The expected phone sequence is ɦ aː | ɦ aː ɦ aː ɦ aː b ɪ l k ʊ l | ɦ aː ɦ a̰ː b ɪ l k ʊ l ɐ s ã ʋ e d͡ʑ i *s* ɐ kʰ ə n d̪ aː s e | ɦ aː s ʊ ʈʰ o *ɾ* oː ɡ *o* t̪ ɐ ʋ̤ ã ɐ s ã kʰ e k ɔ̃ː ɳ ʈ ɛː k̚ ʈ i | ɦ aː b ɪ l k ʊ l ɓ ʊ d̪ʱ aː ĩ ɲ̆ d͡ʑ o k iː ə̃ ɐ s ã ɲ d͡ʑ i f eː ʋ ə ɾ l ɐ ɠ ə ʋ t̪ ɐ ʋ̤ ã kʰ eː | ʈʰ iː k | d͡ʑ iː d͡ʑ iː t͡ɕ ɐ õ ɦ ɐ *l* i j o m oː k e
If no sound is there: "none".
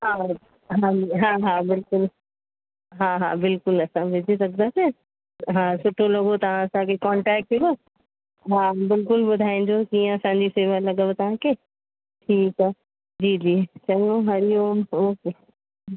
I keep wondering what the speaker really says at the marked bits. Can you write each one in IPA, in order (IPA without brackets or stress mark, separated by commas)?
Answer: s, l, o, ɾ